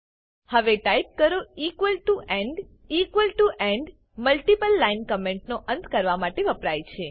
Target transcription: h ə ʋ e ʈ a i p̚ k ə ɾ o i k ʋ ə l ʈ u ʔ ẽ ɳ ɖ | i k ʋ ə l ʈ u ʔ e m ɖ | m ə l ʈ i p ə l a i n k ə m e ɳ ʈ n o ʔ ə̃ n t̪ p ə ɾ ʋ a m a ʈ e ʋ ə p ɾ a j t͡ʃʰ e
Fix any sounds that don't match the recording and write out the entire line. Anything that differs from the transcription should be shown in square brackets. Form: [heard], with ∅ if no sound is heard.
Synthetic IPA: h ə ʋ e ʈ a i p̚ k ə ɾ o i k ʋ ə l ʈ u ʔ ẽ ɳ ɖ | i k ʋ ə l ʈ u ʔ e [ɳ] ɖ | m ə l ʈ i p ə [lː] a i n k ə m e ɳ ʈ n o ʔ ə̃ n t̪ [k] ə ɾ ʋ a m a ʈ e ʋ ə p ɾ a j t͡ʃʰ e